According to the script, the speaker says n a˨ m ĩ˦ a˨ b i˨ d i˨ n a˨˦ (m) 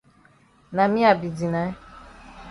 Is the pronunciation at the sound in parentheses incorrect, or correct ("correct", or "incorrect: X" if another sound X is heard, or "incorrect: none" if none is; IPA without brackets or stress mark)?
incorrect: none